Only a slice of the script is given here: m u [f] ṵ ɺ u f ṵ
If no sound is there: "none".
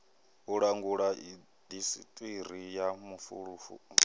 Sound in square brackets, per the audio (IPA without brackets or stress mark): f